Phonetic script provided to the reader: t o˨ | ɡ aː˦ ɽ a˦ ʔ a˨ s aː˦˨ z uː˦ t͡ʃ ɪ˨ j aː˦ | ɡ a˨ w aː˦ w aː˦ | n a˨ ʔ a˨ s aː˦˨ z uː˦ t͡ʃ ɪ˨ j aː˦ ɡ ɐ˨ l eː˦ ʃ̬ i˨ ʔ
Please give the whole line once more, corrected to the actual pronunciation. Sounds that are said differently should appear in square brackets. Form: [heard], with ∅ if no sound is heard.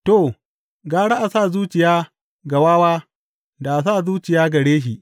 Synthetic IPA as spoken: t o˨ | ɡ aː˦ ɽ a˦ ʔ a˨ s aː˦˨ z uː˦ t͡ʃ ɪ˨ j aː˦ | ɡ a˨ w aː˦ w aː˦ | [d] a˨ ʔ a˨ s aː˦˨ z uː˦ t͡ʃ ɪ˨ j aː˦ ɡ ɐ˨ [ɽ] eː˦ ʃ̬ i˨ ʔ